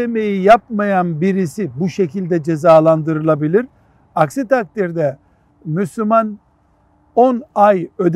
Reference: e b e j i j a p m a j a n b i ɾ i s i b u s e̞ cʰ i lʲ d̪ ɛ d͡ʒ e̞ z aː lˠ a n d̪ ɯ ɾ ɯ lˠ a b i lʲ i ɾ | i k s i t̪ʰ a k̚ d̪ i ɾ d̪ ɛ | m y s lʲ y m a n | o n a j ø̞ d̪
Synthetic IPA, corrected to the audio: e m e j i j a p m a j a n b i ɾ i s i b u ʃ e̞ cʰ i lʲ d̪ ɛ d͡ʒ e̞ z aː lˠ a n d̪ ɯ ɾ ɯ lˠ a b i lʲ i ɾ | a k s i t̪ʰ a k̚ t̪ i ɾ d̪ ɛ | m y s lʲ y m a n | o n a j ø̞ d̪